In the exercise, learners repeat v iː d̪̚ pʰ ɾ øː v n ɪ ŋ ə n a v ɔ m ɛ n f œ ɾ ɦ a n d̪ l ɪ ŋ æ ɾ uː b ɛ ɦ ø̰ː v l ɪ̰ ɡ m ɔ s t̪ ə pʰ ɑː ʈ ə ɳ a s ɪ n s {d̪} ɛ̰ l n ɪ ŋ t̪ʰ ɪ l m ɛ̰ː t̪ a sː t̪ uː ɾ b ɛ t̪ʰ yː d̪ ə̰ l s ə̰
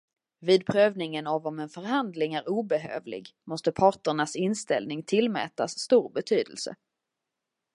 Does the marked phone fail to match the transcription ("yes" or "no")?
yes